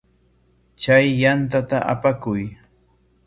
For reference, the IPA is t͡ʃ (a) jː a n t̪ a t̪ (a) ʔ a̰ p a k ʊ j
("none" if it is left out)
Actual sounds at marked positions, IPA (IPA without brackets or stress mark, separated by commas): a, a